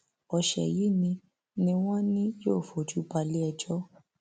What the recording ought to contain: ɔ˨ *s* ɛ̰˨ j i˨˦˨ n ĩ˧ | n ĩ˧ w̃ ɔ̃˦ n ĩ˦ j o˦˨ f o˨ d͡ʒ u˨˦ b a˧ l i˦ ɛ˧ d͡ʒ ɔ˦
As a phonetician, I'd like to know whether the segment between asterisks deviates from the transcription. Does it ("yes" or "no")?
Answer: yes